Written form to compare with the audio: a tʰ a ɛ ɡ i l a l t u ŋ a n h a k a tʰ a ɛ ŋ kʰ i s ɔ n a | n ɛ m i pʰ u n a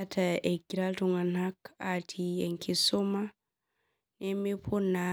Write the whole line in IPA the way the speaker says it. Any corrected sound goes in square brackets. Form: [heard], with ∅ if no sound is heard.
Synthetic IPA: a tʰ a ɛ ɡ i [ɾ] a l t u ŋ a n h a k a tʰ [i] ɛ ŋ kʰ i s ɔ [m] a | n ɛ m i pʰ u n a

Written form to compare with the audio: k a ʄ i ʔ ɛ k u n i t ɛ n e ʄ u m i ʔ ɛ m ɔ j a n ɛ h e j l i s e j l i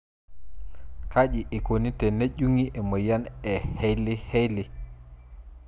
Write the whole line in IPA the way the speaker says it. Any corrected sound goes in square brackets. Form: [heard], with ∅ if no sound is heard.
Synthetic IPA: k a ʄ i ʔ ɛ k [o] n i t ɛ n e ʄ u [ŋ] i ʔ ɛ m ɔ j a n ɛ h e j l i [h] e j l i

